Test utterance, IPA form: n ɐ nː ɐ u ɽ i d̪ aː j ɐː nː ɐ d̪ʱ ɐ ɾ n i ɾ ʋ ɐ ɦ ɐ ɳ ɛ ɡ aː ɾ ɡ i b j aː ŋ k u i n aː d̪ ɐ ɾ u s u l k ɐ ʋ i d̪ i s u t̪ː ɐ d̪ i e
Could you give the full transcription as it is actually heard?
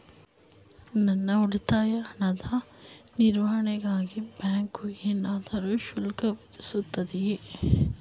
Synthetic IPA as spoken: n ɐ nː ɐ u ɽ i t̪ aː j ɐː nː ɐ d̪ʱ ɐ n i ɾ ʋ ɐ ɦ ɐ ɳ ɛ ɡ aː ɡ i b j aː ŋ k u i n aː d̪ ɐ ɾ u ʃ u l k ɐ ʋ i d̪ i s u t̪ː ɐ d̪ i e